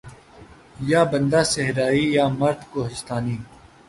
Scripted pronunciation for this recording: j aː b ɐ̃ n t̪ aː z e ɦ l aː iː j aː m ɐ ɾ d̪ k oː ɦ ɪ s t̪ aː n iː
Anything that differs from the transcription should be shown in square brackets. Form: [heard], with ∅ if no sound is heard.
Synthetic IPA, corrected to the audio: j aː b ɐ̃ n [d̪] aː [s] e ɦ [ɾ] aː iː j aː m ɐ ɾ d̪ k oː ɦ ɪ s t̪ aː n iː

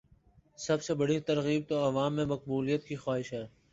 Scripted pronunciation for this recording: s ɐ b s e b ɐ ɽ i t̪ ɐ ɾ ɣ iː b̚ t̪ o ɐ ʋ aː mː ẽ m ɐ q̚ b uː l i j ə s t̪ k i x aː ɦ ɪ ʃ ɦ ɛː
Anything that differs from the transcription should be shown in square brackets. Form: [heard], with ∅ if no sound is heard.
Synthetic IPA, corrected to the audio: s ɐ b s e b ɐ ɽ i t̪ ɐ ɾ ɣ iː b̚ t̪ o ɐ ʋ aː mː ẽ m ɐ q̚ b uː l i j ə [∅] t̪ k i x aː ɦ ɪ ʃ ɦ ɛː

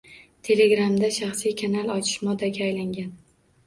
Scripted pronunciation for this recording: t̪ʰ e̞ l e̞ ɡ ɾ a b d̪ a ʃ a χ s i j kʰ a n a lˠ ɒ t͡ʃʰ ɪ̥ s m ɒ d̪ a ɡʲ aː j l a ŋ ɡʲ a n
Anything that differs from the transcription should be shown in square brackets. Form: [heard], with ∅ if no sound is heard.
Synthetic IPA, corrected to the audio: t̪ʰ e̞ l e̞ ɡ ɾ a [m] d̪ a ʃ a χ s i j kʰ a n a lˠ ɒ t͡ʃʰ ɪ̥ [ʃ] m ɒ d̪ a ɡʲ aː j l a ŋ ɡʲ a n

